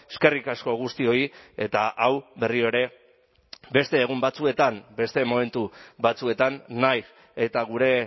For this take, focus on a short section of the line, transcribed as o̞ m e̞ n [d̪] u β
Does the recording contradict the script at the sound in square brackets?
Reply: yes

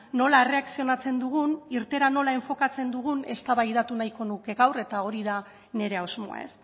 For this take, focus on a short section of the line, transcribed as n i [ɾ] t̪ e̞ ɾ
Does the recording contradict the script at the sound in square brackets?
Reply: no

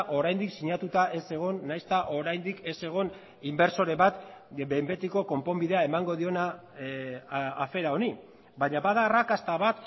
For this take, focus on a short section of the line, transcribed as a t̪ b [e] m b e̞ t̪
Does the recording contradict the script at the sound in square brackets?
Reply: no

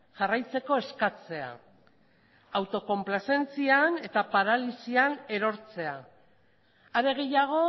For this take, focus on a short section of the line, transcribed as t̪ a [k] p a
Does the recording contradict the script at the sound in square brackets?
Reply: yes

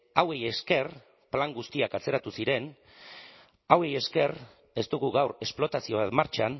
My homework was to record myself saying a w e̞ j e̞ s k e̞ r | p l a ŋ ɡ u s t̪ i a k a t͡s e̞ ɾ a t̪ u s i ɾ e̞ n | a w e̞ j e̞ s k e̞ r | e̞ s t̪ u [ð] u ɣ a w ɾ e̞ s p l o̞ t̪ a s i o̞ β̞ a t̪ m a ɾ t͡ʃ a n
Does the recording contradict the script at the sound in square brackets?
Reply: yes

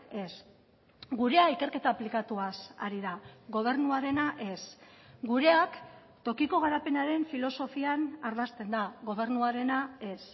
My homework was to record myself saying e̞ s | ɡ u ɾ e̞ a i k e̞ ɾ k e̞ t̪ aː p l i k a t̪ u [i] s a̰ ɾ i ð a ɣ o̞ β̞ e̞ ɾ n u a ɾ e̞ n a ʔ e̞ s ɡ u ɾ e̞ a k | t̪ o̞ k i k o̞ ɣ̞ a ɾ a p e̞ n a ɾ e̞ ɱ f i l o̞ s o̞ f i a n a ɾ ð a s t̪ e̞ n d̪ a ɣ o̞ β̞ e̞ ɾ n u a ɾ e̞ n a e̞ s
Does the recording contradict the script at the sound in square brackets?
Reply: yes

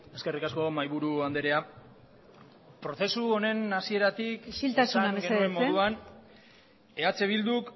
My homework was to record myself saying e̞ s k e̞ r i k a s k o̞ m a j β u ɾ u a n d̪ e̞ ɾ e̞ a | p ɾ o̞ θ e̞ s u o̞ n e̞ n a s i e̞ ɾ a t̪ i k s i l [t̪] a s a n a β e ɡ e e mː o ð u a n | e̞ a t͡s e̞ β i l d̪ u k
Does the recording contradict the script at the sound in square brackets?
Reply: no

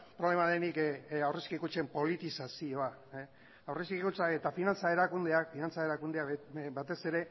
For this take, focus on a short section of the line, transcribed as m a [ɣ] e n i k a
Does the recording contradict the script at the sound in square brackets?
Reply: yes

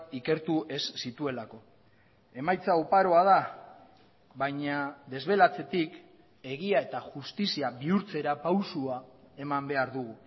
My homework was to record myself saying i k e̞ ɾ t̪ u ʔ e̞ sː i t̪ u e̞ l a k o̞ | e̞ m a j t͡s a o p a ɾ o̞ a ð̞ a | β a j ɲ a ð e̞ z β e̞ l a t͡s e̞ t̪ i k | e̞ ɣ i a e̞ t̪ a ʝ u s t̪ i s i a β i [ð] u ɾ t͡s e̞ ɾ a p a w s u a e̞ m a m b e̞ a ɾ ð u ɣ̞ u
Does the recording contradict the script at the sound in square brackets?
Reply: yes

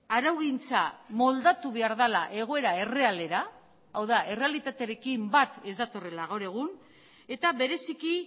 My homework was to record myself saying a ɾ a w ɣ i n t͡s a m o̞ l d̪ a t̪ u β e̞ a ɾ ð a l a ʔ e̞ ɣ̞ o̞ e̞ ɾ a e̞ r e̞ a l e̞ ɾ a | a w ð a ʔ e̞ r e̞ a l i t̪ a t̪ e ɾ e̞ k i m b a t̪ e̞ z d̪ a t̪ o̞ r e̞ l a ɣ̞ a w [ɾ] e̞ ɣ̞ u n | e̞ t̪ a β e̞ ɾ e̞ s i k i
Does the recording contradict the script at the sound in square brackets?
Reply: no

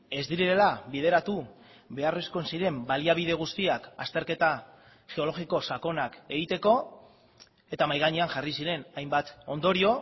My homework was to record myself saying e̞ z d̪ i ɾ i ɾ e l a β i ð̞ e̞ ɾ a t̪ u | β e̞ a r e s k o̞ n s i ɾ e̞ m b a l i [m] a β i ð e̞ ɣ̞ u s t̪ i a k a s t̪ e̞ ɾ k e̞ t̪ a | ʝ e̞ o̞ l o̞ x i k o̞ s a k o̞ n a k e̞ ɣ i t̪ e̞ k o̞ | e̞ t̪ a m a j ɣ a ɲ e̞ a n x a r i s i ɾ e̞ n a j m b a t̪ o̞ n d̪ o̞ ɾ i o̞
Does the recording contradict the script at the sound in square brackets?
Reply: yes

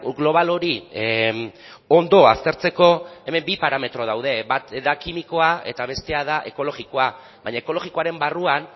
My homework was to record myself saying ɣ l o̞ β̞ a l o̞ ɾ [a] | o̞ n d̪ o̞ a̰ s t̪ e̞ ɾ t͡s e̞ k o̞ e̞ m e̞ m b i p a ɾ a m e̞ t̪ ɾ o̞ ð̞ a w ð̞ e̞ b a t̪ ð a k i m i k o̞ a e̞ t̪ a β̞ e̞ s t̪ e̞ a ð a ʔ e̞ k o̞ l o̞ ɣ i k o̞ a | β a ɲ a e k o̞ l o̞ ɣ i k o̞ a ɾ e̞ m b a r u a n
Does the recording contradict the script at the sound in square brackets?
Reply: yes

